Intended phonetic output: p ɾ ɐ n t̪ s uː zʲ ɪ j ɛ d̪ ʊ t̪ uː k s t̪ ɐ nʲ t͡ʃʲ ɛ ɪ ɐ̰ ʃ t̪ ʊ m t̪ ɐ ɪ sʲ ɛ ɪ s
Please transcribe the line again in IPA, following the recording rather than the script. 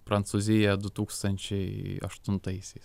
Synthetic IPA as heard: p ɾ ɐ n t̪ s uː zʲ ɪ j ɛ d̪ ʊ t̪ uː k s t̪ ɐ nʲ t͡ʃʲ ɛ ɪ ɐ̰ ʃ t̪ ʊ n t̪ ɐ ɪ sʲ ɛ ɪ s